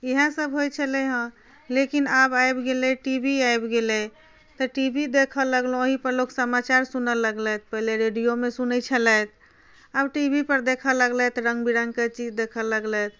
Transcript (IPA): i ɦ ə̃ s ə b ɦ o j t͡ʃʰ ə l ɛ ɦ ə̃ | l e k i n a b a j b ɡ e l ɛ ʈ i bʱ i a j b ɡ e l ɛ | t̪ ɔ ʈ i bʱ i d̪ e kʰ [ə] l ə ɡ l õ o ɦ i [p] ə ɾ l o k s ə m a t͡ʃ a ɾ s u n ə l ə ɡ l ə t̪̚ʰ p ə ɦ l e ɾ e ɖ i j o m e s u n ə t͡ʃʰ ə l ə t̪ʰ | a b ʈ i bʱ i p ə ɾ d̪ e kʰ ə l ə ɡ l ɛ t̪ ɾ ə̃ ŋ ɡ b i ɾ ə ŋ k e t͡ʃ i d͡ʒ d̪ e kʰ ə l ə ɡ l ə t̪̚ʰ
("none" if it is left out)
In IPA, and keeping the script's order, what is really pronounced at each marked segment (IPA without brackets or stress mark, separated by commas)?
ə, p